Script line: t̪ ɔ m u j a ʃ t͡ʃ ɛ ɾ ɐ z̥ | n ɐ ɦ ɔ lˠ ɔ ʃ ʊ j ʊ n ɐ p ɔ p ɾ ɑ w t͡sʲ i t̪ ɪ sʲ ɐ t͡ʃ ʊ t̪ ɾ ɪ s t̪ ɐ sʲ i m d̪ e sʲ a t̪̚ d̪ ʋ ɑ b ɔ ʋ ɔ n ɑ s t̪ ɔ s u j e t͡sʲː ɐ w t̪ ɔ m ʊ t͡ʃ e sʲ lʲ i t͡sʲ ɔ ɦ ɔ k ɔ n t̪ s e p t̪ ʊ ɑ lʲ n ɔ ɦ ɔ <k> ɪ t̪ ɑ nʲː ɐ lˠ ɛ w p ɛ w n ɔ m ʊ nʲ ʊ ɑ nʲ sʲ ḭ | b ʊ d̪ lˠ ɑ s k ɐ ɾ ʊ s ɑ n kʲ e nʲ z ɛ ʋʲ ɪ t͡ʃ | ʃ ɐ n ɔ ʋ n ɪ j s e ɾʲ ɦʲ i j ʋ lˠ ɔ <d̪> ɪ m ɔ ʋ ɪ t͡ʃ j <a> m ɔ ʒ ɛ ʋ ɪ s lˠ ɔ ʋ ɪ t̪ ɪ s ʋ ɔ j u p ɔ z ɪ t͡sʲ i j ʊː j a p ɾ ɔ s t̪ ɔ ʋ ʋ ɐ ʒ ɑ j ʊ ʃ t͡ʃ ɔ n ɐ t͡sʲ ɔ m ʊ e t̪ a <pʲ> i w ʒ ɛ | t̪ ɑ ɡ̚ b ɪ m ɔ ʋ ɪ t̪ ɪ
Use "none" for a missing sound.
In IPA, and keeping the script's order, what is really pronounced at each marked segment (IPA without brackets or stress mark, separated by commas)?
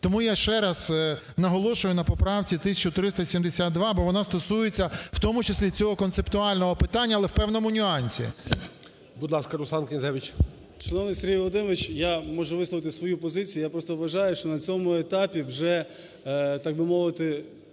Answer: p, d̪, a, pʲ